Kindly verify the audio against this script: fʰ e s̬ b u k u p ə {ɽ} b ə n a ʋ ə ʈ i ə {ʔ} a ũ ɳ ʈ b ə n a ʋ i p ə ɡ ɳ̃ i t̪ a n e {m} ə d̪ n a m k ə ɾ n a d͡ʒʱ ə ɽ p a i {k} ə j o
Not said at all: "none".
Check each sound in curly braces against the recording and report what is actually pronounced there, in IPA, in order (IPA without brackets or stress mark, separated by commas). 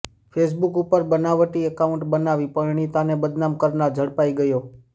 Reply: ɾ, k, b, ɡ